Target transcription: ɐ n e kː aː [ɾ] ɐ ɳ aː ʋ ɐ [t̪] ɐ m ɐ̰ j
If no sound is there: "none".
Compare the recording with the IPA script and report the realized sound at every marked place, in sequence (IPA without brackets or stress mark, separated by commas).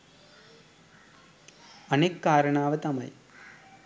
ɾ, t̪